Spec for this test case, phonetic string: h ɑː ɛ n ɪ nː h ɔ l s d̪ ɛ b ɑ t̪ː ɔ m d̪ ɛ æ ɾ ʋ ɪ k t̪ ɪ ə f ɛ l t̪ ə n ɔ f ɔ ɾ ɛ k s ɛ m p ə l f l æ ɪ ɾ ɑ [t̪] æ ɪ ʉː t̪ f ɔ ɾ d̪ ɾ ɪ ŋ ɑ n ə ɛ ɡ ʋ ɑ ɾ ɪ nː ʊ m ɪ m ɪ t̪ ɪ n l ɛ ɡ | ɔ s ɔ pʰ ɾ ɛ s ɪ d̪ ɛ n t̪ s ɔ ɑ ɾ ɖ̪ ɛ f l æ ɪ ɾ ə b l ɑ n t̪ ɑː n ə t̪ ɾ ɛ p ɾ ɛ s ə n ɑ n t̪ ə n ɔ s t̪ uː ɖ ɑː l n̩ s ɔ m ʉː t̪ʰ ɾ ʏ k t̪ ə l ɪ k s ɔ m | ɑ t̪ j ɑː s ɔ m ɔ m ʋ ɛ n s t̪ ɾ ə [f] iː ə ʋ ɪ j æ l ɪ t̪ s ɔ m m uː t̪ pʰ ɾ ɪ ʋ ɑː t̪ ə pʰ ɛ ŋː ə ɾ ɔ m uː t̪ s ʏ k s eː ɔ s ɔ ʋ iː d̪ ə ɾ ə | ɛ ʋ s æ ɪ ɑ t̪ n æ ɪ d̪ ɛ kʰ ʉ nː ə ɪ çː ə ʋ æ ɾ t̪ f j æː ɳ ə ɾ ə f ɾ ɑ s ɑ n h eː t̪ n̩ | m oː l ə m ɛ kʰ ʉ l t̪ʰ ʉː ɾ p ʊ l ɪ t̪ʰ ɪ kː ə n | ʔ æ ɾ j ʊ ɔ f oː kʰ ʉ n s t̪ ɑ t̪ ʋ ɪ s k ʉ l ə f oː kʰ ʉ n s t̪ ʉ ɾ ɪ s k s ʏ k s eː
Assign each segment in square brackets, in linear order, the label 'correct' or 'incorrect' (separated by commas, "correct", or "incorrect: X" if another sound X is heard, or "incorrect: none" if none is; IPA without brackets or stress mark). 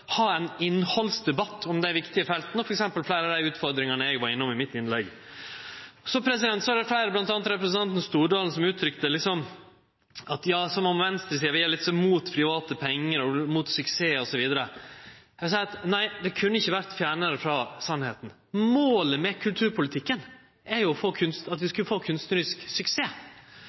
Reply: incorrect: d̪, incorrect: s